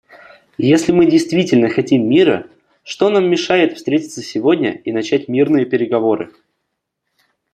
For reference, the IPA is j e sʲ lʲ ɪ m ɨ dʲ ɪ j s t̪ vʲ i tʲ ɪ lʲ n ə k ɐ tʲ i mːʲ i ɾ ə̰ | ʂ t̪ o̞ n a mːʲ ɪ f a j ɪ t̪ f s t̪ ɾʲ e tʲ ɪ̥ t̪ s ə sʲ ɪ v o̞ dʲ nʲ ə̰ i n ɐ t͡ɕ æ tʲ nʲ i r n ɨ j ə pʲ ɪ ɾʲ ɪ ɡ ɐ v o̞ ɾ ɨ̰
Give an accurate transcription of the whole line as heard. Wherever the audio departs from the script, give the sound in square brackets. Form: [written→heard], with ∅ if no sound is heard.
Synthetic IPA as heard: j e sʲ lʲ ɪ m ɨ dʲ ɪ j s t̪ vʲ i tʲ ɪ lʲ n ə [k→x] ɐ tʲ i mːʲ i ɾ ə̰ | ʂ t̪ o̞ n a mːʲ ɪ [f→ʂ] a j ɪ t̪ f s t̪ ɾʲ e tʲ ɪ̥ t̪ s ə sʲ ɪ v o̞ dʲ nʲ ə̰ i n ɐ t͡ɕ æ tʲ [nʲ→mʲ] i r n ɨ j ə pʲ ɪ ɾʲ ɪ ɡ ɐ v o̞ ɾ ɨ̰